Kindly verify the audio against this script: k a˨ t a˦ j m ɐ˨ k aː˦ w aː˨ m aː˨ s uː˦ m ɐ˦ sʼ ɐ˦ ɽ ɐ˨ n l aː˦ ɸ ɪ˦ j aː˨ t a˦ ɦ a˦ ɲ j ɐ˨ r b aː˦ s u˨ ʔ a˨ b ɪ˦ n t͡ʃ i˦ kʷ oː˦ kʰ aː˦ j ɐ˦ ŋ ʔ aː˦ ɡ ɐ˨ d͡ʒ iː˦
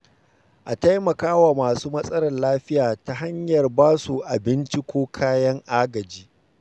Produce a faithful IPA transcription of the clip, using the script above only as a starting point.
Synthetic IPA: ʔ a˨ t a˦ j m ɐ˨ k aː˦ w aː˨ m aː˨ s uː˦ m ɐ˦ sʼ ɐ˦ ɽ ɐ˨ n l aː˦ ɸ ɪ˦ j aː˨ t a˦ ɦ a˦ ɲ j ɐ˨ r b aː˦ s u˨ ʔ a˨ b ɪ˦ n t͡ʃ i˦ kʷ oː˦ kʰ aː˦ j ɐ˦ ŋ ʔ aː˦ ɡ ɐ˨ d͡ʒ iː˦